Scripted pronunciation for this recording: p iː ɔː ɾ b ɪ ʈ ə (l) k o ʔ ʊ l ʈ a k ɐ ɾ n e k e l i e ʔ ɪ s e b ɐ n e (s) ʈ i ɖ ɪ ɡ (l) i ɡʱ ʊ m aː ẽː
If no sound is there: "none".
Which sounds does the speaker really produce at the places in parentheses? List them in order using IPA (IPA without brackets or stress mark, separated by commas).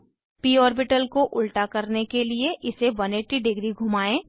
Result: l, none, ɾ